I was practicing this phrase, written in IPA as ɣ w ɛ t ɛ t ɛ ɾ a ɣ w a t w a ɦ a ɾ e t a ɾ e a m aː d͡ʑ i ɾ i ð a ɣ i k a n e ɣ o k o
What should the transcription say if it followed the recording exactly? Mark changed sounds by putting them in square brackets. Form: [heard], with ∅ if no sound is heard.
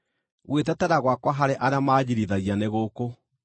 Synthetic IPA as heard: ɣ w [e] t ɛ t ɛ ɾ a ɣ w a [k] w a ɦ a ɾ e [ʔ] a ɾ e a m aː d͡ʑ i ɾ i ð a ɣ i [∅] a n e ɣ o k o